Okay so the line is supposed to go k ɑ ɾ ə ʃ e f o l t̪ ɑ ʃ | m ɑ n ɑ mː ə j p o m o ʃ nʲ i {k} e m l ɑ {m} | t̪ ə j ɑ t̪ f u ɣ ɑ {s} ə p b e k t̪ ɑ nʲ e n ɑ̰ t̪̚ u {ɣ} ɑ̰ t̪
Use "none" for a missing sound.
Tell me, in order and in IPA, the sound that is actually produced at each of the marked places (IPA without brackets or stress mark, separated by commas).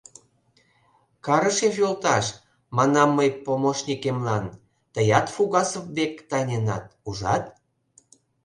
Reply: k, n, s, ʒ